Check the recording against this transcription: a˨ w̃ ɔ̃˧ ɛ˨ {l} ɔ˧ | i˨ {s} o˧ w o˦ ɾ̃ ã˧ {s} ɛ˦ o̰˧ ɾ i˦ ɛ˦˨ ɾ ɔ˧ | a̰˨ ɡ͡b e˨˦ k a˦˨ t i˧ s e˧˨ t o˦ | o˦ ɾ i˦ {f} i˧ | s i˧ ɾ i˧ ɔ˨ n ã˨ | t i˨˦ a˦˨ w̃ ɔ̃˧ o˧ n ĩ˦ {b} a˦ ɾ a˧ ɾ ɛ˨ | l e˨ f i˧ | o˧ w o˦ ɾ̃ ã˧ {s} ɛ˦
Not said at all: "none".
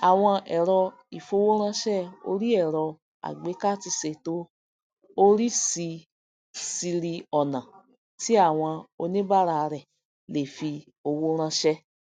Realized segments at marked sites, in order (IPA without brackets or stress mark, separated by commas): ɾ, f, ʃ, s, b, ʃ